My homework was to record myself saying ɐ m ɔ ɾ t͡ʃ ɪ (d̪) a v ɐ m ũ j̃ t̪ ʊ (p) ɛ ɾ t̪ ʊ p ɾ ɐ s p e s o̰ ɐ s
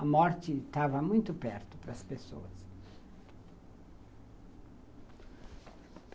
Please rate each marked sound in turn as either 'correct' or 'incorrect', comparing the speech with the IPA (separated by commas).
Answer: incorrect, correct